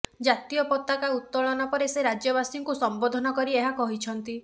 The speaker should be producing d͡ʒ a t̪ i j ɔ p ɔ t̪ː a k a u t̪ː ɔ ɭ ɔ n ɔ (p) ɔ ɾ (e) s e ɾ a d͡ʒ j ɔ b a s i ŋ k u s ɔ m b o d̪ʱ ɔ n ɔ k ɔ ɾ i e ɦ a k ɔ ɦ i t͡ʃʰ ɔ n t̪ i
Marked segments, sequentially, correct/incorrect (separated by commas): correct, correct